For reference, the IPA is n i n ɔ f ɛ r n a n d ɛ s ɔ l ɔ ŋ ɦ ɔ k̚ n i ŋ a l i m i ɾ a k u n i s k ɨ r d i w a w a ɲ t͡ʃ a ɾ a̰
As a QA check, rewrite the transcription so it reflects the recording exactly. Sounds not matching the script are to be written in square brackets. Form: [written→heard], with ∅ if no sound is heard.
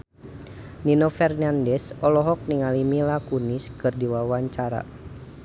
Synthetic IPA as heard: n i n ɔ f ɛ r n a n d ɛ s ɔ l ɔ [ŋ→∅] ɦ ɔ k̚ n i ŋ a l i m i [ɾ→l] a k u n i s k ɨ r d i w a w a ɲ t͡ʃ a ɾ a̰